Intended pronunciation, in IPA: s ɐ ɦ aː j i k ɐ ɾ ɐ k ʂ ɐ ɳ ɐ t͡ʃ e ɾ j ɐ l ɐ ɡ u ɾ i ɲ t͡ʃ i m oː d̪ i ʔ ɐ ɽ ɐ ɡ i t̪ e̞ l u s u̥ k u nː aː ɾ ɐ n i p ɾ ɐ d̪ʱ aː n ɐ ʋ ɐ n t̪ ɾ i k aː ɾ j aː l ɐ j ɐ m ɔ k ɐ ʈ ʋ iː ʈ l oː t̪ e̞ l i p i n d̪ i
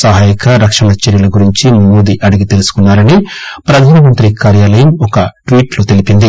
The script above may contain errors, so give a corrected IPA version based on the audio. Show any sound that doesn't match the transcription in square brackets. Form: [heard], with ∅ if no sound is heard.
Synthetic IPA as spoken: s ɐ ɦ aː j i k ɐ ɾ ɐ k ʂ ɐ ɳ ɐ t͡ʃ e ɾ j ɐ l ɐ ɡ u ɾ i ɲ t͡ʃ i m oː d̪ i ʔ ɐ ɽ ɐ ɡ i t̪ e̞ l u s u̥ k u nː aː ɾ ɐ n i p ɾ ɐ d̪ʱ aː n ɐ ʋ ɐ n t̪ ɾ i k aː ɾ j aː l ɐ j ɐ m ɔ k ɐ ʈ ʋ iː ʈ l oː t̪ e̞ l i p i n d̪ i